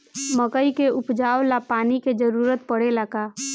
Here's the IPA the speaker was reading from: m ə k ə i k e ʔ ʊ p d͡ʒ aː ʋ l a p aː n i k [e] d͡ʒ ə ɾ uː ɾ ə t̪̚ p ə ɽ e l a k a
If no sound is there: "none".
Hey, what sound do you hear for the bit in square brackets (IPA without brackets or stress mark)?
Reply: e